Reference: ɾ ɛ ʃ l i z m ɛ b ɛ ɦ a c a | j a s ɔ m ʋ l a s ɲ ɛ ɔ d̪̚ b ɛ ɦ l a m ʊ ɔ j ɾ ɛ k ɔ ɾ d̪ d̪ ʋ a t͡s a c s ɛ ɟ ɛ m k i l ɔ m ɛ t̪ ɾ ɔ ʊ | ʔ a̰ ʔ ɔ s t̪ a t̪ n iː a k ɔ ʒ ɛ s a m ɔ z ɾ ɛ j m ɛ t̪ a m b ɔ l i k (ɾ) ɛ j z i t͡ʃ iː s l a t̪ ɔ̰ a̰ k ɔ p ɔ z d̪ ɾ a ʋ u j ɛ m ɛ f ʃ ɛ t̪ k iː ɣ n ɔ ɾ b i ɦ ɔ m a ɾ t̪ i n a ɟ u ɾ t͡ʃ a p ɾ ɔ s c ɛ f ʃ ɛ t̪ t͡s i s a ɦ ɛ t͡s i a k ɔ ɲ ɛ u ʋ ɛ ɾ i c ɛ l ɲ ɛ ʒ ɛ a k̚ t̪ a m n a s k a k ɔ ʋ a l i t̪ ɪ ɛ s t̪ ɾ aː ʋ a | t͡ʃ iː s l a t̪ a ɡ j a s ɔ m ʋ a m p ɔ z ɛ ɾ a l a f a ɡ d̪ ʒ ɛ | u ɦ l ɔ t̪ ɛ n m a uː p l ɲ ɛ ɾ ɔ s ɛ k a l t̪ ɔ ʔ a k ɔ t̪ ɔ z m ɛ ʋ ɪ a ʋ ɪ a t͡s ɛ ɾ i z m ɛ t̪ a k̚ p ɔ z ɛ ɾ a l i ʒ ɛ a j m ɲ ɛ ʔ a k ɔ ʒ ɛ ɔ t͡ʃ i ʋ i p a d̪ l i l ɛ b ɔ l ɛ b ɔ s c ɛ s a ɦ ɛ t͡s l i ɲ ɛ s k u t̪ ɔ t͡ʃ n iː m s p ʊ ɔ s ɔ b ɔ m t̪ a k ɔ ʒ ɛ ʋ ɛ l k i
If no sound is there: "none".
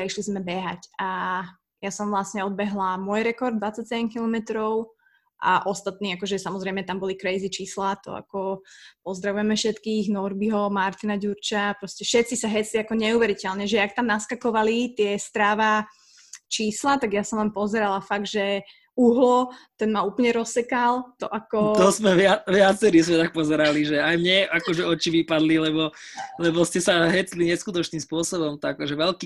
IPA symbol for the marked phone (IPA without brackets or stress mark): ɾ